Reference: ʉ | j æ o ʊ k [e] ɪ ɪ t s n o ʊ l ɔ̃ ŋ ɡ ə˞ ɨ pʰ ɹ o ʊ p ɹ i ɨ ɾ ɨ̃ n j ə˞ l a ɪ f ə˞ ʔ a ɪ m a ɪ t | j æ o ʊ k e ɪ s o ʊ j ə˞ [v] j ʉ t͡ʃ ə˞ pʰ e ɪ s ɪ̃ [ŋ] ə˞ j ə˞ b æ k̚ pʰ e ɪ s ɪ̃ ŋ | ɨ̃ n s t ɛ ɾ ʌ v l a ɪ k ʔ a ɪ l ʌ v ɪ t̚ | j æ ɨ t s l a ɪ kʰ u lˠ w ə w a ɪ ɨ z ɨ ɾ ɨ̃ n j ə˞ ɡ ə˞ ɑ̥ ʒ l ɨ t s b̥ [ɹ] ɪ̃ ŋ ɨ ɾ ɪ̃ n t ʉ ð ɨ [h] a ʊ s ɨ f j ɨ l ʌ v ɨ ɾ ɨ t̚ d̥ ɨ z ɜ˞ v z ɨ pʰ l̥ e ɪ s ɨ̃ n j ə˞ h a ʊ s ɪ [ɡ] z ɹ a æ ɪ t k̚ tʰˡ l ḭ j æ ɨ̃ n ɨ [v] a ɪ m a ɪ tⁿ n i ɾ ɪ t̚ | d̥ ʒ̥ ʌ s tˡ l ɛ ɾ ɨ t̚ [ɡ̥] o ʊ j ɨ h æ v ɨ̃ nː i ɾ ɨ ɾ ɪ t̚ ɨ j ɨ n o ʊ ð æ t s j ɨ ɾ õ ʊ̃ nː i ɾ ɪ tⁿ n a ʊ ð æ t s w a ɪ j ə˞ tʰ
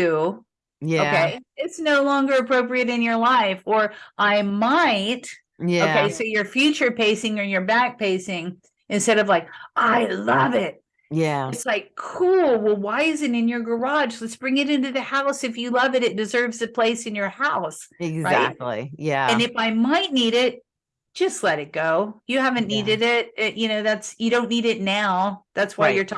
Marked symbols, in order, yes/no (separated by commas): yes, no, yes, yes, yes, yes, no, yes